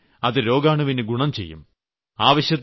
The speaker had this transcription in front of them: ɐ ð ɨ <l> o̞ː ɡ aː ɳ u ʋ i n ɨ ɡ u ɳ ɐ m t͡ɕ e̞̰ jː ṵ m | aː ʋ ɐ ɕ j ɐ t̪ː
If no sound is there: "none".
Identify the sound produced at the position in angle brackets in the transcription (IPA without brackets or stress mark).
ɾ